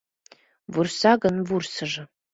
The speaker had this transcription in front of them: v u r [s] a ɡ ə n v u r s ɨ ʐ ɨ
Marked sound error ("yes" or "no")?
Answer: no